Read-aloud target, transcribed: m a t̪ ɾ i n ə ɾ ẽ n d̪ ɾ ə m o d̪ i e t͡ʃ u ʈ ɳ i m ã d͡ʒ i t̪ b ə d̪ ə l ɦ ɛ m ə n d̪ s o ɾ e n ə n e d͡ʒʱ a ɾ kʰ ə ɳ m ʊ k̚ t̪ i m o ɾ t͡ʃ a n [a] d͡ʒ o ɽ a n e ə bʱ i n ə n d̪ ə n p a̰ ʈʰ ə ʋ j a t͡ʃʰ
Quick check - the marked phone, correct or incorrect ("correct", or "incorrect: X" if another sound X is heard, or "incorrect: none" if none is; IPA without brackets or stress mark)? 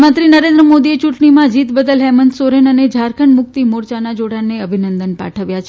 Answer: correct